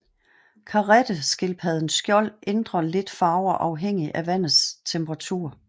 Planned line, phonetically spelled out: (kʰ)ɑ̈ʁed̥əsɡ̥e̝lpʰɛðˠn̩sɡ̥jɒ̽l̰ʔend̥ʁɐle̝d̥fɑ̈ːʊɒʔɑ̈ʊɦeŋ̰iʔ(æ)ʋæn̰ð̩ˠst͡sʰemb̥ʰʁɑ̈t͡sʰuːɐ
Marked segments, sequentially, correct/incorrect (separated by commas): correct, correct